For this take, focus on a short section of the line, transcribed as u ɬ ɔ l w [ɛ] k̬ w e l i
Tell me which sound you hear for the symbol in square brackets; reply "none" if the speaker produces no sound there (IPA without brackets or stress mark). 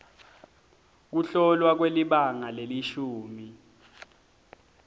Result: a